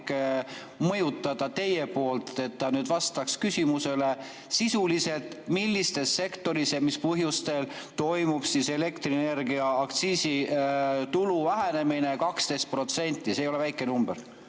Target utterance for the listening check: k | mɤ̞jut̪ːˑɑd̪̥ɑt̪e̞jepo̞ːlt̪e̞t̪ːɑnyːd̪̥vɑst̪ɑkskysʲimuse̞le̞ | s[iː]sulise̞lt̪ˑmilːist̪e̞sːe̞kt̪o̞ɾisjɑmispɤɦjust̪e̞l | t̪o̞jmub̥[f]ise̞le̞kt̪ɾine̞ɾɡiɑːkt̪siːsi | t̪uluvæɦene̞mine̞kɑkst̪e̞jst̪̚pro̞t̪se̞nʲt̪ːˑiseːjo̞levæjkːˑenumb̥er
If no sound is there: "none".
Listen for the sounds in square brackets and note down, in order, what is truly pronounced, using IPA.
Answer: i, s

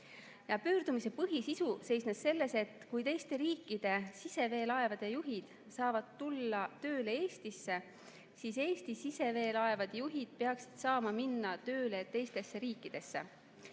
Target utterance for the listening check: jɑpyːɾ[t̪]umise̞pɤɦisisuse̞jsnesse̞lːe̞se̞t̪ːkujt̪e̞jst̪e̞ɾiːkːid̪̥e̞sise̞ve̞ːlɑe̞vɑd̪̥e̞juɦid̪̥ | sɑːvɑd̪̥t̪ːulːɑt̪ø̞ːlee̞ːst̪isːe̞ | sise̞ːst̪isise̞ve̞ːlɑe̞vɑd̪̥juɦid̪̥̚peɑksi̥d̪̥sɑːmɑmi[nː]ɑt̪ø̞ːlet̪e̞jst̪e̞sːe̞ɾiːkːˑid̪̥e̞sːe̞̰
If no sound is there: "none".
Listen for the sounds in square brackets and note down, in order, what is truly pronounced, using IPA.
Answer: d̪, nː

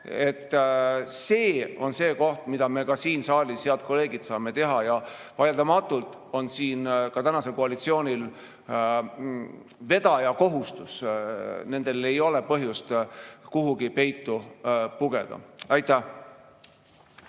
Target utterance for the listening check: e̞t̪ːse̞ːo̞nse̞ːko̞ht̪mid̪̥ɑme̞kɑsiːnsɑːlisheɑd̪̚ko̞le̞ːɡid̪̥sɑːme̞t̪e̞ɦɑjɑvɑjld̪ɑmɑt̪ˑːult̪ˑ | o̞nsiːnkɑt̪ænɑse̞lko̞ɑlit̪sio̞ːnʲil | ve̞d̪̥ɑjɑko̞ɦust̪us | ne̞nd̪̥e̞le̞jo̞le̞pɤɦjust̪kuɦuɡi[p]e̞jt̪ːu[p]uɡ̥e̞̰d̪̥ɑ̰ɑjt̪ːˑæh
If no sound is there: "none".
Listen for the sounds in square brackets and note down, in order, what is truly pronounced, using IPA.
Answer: p, p

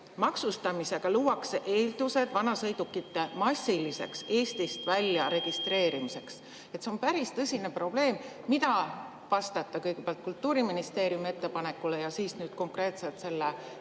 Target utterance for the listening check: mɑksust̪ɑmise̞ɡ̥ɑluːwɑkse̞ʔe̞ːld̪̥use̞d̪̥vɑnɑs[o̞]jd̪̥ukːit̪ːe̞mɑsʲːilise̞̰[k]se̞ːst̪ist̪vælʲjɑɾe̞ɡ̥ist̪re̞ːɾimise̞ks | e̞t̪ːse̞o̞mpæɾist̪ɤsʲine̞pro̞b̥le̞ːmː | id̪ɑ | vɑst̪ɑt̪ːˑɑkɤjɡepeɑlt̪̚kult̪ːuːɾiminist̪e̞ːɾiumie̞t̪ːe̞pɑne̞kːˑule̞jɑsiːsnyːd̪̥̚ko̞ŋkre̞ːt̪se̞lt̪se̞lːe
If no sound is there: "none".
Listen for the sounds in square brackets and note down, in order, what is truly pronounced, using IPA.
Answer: ɤ̞, k

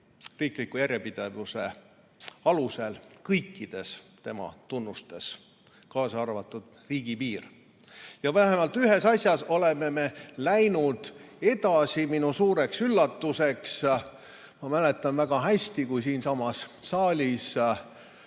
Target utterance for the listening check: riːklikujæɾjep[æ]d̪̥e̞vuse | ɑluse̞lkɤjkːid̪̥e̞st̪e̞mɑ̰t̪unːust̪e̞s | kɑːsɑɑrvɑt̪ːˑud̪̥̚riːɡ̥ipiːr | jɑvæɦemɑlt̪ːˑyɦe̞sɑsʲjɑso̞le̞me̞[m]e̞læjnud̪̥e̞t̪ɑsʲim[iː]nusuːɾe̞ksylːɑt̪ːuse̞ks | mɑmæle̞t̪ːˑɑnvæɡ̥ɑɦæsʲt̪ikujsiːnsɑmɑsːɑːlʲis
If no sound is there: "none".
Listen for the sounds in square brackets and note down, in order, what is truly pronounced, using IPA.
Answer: i, m, i

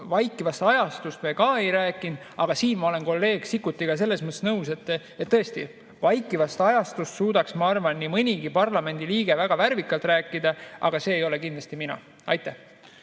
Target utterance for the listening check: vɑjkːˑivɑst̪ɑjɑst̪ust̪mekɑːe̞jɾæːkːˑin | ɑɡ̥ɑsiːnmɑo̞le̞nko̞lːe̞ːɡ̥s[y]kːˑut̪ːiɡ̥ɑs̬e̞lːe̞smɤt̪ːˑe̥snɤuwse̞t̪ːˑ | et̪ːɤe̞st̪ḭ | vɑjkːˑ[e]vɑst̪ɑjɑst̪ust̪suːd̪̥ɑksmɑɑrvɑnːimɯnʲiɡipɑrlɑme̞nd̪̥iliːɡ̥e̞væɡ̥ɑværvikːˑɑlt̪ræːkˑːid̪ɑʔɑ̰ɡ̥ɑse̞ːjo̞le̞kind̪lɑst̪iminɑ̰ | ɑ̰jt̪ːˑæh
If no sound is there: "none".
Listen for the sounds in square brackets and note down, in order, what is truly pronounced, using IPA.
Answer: i, i

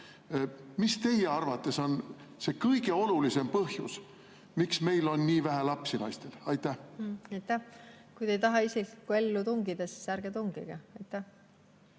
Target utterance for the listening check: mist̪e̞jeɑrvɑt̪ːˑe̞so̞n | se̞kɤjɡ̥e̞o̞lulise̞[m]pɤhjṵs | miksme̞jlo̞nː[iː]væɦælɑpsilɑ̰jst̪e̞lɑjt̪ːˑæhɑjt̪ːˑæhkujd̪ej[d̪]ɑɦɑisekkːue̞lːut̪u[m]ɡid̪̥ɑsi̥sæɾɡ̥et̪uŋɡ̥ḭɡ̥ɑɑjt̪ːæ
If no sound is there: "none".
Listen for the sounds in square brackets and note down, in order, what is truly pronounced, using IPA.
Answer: m, iː, t̪, ŋ

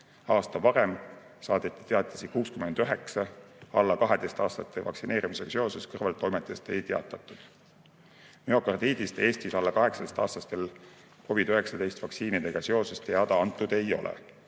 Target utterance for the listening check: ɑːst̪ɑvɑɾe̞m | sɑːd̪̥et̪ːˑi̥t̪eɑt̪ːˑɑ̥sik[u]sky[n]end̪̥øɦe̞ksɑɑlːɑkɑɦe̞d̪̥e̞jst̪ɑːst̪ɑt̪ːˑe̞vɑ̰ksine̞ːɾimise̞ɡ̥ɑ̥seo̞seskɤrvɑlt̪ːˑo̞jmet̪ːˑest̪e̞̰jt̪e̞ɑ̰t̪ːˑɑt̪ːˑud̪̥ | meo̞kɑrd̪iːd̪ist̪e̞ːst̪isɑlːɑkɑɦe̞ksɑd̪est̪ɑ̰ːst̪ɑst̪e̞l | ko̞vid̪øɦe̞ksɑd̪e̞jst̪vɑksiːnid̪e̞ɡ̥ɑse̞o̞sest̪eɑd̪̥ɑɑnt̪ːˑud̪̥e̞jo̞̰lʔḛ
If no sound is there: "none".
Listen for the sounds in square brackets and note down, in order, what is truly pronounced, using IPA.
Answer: uː, m

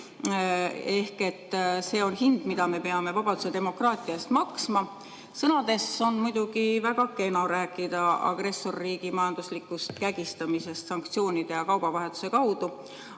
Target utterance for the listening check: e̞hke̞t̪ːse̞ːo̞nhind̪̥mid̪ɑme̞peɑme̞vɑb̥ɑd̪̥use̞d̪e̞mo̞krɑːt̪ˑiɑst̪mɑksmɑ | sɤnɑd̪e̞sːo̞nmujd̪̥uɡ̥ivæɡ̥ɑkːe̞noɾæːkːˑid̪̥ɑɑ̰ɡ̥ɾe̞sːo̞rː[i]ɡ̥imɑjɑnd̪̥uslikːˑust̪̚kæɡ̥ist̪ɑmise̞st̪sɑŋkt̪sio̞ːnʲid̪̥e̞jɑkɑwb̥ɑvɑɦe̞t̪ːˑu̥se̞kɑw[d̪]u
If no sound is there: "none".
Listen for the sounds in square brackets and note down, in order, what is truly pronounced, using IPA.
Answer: iː, d̪

